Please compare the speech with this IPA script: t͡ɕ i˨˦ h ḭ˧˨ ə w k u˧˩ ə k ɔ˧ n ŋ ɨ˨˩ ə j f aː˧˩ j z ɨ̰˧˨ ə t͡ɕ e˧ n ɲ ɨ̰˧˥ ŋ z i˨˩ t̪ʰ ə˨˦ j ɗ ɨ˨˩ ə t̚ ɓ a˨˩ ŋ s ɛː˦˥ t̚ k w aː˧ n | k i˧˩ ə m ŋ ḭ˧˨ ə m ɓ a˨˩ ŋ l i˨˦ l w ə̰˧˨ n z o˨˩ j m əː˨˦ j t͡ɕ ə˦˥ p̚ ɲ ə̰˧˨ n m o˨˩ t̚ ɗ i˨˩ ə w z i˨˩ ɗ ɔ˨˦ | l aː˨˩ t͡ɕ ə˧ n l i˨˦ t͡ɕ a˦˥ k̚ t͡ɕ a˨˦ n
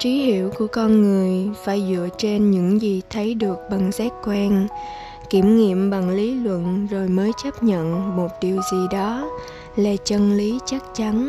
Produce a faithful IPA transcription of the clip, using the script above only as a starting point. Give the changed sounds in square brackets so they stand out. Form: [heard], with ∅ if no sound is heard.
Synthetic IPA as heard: t͡ɕ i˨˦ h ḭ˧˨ ə w k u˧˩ ə k ɔ˧ n ŋ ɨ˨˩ ə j f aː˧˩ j z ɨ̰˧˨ ə t͡ɕ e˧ n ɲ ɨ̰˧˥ ŋ z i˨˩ t̪ʰ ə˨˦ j ɗ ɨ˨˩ ə [k̚] ɓ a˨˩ ŋ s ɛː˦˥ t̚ k w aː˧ n | k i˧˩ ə m ŋ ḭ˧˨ ə m ɓ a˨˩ ŋ l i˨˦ l w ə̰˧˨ n z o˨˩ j m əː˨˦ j t͡ɕ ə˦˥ p̚ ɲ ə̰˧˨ n m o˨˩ t̚ ɗ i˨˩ ə w z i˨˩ ɗ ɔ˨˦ | l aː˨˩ t͡ɕ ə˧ n l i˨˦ t͡ɕ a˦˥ k̚ t͡ɕ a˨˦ n